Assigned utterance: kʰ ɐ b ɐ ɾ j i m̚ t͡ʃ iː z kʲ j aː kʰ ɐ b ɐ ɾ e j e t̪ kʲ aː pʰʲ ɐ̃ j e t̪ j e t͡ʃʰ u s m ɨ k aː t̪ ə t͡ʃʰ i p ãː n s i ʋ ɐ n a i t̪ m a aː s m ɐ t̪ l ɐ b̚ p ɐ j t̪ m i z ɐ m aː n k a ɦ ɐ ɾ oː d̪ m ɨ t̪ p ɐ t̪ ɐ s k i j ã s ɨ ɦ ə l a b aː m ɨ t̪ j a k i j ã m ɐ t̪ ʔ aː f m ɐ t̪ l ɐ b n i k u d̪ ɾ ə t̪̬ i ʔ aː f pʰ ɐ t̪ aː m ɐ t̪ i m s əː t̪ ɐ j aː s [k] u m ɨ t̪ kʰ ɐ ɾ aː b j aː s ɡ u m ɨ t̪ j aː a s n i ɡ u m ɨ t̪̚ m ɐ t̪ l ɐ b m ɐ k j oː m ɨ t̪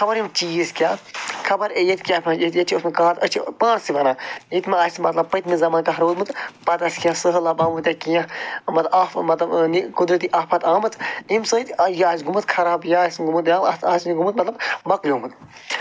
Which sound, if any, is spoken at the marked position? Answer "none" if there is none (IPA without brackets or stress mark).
ɡ